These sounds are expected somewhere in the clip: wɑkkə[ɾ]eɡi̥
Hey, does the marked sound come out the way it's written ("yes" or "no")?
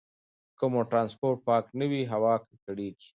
no